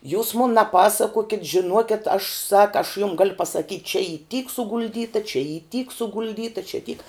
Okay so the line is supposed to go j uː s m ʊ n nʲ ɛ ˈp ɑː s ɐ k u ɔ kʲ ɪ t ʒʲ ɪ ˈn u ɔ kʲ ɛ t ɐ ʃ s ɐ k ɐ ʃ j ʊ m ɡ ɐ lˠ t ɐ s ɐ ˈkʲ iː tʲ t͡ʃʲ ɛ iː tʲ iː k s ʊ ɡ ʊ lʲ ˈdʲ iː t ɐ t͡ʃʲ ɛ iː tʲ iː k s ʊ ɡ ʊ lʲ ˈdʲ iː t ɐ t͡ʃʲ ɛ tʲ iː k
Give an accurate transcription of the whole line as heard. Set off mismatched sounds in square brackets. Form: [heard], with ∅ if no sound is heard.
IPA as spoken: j uː s m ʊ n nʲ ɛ ˈp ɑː s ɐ k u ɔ kʲ ɪ t ʒʲ ɪ ˈn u ɔ kʲ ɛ t ɐ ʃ s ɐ k ɐ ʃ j ʊ m ɡ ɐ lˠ [p] ɐ s ɐ ˈkʲ iː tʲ t͡ʃʲ ɛ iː tʲ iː k s ʊ ɡ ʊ lʲ ˈdʲ iː t ɐ t͡ʃʲ ɛ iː tʲ iː k s ʊ ɡ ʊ lʲ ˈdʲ iː t ɐ t͡ʃʲ ɛ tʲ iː k